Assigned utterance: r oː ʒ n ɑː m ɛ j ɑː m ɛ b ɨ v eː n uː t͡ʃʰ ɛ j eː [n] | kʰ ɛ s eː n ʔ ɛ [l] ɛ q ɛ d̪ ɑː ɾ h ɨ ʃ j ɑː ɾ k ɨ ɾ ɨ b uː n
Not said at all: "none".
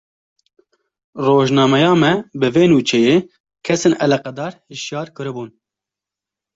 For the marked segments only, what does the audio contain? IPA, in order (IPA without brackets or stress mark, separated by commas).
none, l